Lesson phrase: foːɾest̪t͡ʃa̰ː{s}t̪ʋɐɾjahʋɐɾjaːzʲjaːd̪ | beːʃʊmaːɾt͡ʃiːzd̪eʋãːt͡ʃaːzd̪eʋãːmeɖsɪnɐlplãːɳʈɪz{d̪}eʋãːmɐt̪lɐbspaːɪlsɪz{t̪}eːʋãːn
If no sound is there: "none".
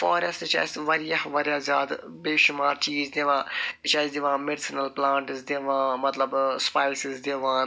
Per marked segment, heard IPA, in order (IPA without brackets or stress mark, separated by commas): s, d̪, d̪